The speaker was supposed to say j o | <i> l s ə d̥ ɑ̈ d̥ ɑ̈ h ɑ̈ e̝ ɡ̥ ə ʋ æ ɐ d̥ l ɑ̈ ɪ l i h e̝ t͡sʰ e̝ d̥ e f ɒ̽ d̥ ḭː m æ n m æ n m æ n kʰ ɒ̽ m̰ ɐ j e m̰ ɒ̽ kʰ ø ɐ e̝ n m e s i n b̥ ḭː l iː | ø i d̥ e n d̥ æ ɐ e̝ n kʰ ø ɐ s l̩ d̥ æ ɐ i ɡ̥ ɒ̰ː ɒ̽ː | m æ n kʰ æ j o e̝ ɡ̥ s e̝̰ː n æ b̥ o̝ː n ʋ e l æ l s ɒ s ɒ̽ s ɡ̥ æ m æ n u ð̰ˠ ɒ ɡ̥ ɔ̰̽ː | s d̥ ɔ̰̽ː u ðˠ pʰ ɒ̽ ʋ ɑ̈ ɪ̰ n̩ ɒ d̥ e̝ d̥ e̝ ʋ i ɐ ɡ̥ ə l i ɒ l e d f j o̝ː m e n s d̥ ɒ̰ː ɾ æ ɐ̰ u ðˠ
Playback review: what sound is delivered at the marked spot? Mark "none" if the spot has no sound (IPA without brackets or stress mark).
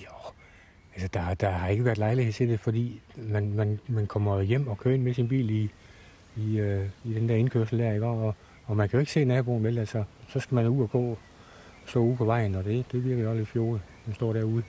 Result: æ